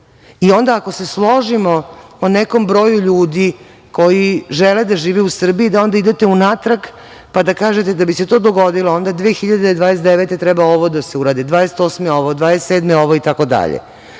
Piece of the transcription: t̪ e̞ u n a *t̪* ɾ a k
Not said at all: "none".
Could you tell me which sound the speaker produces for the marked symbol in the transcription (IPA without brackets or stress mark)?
t̪